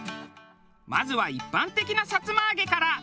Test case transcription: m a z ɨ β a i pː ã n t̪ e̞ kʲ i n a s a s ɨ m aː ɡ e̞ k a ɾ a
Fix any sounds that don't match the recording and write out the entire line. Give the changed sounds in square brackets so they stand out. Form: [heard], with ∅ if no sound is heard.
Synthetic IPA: m a z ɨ β a i pː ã n t̪ e̞ kʲ i n a s a [t͡s] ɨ m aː ɡ e̞ k a ɾ a